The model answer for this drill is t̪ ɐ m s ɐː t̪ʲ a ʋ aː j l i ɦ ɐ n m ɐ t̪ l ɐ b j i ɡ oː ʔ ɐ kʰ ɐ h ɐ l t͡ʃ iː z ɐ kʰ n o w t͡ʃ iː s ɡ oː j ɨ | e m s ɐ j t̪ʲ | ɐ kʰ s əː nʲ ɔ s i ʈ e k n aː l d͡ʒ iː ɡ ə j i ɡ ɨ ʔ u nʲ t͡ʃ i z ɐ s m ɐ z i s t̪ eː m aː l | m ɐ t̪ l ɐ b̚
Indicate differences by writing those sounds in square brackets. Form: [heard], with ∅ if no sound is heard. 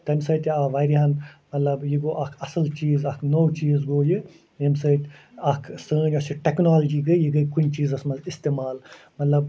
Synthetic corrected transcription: t̪ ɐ m s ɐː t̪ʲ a ʋ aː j [ɾ] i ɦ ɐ n m ɐ t̪ l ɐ b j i ɡ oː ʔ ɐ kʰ ɐ [s] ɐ l t͡ʃ iː z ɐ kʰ n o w t͡ʃ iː [z] ɡ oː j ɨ | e m s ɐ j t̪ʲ | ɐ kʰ s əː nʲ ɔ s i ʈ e k n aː l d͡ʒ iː ɡ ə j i ɡ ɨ [k] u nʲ t͡ʃ [iː] z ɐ s m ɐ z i s t̪ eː m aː l | m ɐ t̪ l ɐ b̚